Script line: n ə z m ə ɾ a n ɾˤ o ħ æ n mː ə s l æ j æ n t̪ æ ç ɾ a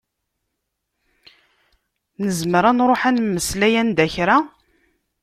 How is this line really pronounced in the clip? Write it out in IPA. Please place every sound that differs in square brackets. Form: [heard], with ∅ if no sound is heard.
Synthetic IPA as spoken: n ə z m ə ɾ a n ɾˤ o ħ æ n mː ə s l æ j æ n [d̪] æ ç ɾ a

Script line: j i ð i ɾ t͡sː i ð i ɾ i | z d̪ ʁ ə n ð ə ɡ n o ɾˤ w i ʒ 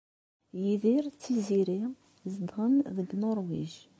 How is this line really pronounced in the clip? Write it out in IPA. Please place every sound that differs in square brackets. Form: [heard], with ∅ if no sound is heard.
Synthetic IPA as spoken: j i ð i ɾ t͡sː i [z] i ɾ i | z d̪ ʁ ə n ð ə ɡ n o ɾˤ w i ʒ

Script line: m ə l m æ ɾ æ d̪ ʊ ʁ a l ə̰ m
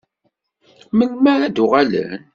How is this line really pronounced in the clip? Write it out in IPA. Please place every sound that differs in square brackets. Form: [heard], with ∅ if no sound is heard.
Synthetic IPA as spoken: m ə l m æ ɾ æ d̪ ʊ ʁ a l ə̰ [n]

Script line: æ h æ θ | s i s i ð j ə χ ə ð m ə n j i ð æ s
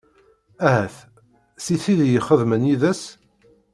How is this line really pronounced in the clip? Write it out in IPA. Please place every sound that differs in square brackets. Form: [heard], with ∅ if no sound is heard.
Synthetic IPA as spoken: æ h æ θ | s i [θ] i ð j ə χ ə ð m ə n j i ð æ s

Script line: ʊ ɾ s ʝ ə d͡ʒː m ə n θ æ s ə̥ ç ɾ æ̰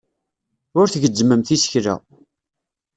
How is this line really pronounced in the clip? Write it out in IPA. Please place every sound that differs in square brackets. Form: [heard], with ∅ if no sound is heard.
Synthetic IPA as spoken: ʊ ɾ [θ] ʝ ə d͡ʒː m ə [m] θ [i] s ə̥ ç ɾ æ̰

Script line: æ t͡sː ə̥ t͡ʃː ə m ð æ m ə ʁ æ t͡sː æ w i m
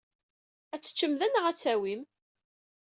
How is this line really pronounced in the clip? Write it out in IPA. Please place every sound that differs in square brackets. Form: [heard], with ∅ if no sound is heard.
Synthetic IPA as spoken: æ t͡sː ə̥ t͡ʃː ə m ð æ [n] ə ʁ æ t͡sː æ w i m

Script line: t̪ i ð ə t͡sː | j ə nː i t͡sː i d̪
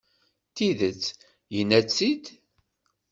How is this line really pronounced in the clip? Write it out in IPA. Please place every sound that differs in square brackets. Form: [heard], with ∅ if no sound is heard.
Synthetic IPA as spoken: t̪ i ð ə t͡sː | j ə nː [æ] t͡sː i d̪

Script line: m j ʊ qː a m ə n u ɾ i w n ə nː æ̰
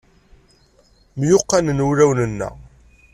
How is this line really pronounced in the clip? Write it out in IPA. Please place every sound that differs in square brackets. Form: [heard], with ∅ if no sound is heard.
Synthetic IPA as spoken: m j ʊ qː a [n] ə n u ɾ [æ] w n ə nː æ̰

